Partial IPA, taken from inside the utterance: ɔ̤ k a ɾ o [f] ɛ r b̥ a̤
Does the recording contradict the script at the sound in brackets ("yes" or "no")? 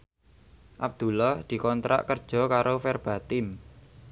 no